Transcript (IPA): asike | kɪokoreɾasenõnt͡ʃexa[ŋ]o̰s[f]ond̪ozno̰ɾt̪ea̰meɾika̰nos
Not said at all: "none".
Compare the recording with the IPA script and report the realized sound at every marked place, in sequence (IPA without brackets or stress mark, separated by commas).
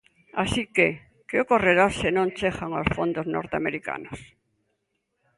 ŋ, f